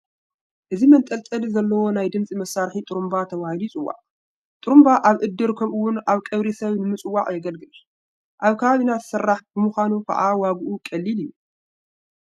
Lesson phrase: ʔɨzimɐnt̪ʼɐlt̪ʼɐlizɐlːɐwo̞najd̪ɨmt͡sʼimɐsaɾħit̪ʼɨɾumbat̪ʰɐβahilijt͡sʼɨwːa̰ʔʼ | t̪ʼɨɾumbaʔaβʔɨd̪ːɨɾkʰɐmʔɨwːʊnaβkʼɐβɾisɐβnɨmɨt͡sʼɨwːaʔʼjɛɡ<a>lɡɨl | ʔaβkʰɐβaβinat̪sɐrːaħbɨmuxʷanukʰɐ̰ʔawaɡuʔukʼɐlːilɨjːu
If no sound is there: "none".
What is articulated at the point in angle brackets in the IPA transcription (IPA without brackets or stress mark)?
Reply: ɐ